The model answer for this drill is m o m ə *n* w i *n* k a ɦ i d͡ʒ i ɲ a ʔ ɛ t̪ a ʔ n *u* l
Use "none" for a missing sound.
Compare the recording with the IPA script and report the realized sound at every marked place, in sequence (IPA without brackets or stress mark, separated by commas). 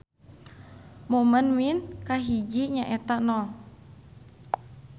n, n, ɔ